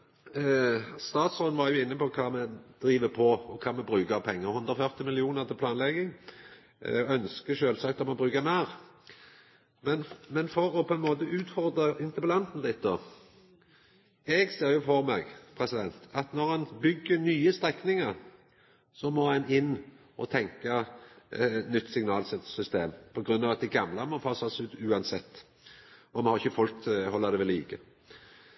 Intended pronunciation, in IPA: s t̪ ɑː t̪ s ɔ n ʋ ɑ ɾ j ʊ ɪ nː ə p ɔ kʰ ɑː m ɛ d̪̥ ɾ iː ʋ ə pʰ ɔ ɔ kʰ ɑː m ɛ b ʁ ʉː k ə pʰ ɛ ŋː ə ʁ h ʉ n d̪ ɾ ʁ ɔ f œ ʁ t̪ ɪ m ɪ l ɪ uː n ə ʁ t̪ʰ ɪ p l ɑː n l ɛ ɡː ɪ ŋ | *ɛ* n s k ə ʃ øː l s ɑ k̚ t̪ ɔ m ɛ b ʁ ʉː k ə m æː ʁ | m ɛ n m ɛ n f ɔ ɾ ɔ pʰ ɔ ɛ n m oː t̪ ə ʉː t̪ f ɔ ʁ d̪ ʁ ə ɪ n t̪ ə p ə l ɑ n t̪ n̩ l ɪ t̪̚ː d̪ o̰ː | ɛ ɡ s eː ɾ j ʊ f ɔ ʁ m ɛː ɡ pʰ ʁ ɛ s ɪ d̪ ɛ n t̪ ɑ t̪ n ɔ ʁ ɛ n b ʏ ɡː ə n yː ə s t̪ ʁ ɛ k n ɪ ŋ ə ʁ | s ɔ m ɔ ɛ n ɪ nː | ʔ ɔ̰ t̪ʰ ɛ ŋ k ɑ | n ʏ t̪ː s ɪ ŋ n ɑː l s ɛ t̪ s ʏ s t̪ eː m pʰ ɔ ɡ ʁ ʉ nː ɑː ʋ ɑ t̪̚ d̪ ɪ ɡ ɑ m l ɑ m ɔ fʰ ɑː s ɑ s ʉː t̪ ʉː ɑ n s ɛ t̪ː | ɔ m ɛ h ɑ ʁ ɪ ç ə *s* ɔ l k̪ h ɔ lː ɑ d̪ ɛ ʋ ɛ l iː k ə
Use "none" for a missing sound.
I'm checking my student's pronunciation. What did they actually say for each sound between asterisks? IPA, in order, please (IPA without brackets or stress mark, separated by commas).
œ, f